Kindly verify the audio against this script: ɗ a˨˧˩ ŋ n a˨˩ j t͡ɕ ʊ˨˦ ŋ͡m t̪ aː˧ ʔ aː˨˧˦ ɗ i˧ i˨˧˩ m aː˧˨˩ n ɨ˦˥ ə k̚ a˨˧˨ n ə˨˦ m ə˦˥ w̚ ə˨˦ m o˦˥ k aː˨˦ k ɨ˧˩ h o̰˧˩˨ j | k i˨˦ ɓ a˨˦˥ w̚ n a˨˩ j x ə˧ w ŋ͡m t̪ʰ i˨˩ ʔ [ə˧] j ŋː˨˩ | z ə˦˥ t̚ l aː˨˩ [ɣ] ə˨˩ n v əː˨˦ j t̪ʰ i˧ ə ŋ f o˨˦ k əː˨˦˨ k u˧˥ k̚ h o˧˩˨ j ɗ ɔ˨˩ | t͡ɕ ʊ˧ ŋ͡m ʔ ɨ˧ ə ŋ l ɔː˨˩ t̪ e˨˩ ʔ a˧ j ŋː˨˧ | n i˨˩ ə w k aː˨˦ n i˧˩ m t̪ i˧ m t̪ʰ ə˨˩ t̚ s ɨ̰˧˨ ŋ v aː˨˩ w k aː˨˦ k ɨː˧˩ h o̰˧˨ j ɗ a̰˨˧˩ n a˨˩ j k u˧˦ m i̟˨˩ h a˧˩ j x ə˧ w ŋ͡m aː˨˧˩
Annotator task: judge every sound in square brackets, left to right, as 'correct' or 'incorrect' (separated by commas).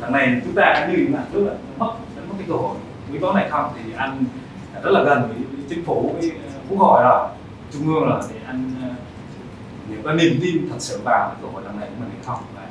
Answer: incorrect, correct